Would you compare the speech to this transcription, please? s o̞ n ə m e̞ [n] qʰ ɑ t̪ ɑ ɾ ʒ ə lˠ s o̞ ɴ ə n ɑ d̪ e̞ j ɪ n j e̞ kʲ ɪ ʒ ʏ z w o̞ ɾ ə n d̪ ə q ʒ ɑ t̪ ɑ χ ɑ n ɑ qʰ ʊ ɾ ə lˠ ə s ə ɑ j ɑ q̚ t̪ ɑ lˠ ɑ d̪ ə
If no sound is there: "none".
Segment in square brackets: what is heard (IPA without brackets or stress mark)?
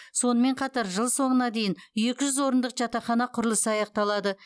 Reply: ɴ